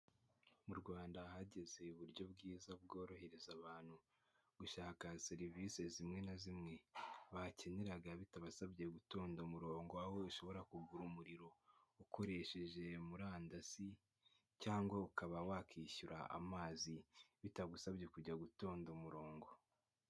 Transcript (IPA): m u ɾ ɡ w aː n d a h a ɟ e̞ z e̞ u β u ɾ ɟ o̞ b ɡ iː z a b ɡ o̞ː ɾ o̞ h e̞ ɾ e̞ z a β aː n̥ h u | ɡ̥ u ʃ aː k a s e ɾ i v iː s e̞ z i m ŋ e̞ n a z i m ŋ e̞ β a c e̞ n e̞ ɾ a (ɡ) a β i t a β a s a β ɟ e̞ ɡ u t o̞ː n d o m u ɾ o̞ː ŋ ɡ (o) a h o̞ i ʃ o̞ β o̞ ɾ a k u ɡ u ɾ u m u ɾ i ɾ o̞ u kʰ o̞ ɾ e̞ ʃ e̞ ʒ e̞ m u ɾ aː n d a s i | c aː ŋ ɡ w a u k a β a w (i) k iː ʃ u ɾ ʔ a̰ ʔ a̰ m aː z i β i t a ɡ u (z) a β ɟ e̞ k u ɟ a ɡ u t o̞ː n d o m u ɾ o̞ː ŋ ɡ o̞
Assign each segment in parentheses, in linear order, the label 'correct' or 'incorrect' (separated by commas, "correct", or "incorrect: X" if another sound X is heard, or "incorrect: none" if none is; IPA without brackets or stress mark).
correct, correct, incorrect: a, incorrect: s